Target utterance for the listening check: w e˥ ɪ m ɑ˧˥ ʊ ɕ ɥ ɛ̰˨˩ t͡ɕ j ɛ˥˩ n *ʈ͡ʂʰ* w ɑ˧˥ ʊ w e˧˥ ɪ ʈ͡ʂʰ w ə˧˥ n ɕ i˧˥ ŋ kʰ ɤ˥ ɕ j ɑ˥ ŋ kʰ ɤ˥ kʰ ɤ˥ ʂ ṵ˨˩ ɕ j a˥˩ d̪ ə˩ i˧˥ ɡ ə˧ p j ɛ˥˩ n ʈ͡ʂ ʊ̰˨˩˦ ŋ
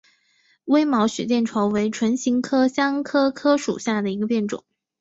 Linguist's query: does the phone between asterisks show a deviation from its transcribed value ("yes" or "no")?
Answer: no